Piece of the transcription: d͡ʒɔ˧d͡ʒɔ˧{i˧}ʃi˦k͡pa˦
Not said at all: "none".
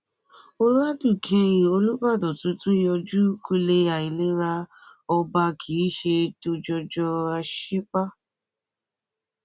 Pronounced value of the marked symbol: a˧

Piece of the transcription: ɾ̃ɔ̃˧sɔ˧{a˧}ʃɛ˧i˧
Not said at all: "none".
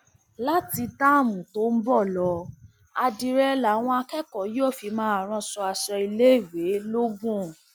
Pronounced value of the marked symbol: a˧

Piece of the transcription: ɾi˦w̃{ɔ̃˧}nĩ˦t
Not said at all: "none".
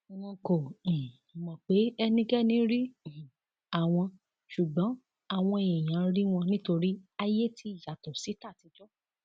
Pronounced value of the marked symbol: ɔ̃˧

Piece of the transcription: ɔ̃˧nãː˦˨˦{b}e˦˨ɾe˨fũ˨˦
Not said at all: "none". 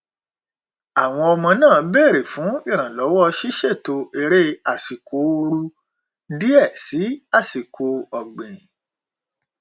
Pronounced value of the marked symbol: b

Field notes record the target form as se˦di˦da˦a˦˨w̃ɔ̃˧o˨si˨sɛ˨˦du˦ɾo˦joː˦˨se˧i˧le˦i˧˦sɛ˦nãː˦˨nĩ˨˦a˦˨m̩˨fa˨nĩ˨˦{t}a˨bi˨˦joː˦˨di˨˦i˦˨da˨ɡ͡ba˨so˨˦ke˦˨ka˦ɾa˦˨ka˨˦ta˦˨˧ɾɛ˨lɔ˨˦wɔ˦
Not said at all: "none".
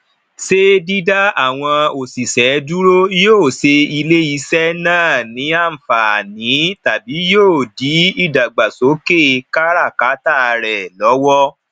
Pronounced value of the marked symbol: t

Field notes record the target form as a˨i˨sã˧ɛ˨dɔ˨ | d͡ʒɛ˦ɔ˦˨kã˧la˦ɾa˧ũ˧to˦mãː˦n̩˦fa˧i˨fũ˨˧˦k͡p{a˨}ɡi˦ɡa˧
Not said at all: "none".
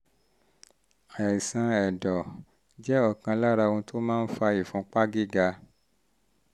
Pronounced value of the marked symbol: a˦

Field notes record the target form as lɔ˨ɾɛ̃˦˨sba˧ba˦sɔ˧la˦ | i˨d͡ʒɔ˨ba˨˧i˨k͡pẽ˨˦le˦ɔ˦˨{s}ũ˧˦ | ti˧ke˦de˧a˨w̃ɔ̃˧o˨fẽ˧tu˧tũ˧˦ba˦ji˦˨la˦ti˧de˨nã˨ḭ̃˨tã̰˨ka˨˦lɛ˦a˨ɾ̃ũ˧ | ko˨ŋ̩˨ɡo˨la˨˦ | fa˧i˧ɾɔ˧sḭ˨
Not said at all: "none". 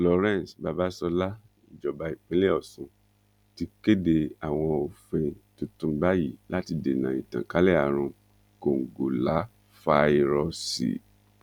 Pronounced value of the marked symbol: s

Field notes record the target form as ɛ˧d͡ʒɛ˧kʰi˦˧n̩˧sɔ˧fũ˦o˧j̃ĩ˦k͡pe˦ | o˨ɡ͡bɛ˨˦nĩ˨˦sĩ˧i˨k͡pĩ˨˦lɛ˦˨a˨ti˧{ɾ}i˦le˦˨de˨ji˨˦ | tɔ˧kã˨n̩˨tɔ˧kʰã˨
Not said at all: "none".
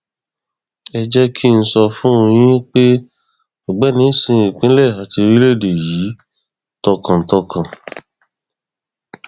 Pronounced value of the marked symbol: ɾ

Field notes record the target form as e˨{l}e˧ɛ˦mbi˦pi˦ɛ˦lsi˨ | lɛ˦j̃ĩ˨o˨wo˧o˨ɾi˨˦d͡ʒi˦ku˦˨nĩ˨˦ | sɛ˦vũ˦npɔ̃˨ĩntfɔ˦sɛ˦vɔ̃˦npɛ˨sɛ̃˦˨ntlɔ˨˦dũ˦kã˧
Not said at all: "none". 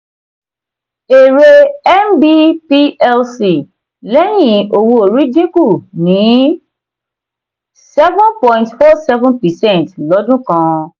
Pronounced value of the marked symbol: ɾ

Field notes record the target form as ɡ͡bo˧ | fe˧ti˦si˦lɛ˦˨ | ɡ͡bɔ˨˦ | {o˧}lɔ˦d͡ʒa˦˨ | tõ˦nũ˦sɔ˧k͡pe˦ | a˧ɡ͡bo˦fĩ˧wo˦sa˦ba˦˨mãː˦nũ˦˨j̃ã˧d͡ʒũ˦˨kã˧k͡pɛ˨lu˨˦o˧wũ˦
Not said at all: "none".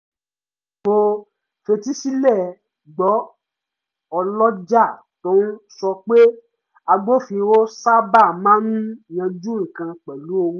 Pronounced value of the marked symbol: ɔ˧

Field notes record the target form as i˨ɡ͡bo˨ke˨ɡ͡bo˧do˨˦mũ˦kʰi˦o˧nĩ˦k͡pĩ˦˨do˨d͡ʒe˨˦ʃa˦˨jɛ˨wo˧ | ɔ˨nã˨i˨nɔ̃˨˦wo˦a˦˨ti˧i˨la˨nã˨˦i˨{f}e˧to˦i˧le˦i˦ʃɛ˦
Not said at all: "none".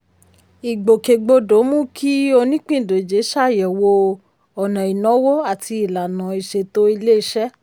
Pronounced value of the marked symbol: ʃ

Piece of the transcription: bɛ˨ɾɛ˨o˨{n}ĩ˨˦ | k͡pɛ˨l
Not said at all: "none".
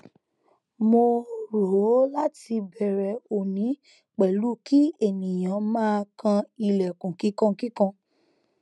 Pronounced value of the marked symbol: n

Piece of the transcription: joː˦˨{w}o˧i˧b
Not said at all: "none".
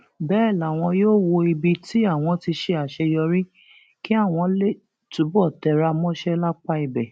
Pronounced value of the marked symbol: w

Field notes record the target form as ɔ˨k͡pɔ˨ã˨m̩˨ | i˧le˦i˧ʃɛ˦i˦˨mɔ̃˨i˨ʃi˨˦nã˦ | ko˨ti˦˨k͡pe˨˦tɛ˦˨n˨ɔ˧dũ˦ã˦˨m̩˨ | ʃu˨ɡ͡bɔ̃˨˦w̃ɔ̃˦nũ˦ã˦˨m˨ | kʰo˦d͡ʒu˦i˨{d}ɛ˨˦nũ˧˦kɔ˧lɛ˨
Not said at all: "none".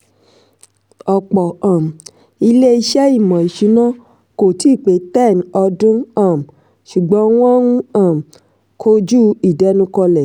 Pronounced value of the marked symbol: d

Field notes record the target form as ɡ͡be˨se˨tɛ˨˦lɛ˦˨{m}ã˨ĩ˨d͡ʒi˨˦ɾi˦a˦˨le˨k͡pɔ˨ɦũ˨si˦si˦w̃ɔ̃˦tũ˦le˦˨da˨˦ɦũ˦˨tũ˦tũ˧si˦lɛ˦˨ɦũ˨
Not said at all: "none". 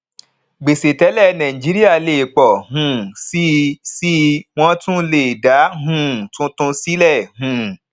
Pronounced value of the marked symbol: n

